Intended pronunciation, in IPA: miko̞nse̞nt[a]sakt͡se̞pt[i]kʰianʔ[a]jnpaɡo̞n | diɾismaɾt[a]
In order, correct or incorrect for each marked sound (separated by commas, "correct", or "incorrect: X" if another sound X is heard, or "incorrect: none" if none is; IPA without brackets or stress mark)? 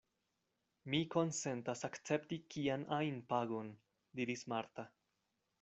correct, correct, correct, correct